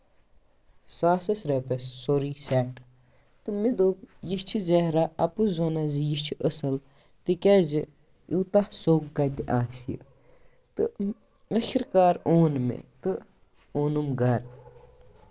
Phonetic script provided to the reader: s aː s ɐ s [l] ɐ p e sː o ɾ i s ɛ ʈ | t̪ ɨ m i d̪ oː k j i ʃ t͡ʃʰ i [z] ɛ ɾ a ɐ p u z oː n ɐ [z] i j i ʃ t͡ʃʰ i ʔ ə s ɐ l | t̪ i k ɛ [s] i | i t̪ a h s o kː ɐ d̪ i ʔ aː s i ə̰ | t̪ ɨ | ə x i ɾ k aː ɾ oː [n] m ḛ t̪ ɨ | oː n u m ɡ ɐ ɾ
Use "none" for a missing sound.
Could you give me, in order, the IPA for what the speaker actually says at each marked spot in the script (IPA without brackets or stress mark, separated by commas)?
ɾ, z, z, z, n